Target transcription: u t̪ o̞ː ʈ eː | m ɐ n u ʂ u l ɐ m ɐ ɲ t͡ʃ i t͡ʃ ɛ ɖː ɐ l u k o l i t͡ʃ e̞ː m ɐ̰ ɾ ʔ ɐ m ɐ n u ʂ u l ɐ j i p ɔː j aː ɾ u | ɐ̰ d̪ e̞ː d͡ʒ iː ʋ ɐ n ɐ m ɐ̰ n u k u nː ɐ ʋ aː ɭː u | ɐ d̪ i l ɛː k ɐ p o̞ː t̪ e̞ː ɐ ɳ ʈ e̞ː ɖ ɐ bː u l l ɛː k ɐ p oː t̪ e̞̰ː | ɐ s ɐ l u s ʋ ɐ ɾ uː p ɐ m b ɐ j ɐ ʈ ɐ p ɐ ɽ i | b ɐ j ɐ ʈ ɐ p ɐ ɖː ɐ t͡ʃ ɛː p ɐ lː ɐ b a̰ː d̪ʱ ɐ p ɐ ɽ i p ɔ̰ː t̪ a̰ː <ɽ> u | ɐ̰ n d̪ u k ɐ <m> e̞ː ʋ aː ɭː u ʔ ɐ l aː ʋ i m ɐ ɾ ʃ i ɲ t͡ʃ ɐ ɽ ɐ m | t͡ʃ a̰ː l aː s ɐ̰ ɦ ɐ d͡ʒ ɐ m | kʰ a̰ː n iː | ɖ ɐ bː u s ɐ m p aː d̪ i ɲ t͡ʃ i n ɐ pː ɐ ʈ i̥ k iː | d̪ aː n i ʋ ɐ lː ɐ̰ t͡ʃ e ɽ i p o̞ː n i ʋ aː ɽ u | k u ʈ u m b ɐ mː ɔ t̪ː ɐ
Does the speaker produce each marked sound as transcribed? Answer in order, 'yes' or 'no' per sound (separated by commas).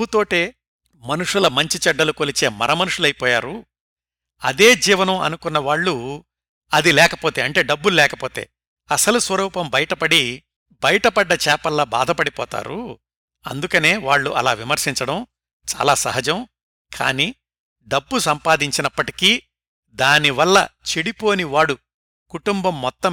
no, no